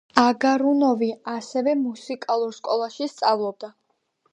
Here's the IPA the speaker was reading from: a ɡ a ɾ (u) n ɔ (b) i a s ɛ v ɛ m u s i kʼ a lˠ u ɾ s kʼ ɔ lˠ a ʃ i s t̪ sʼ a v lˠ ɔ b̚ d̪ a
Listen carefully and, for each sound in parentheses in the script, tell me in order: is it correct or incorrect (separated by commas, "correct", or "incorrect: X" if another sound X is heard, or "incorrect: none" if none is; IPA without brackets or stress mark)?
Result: correct, incorrect: v